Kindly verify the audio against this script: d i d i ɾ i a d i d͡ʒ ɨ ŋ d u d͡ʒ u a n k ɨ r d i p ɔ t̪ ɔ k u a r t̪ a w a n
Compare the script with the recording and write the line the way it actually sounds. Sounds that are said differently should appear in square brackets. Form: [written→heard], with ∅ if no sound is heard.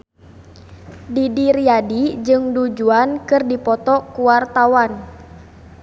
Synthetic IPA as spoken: d i d i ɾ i a d i d͡ʒ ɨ ŋ d u d͡ʒ u a n k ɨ r d i p ɔ t̪ ɔ k u a r t̪ a w a n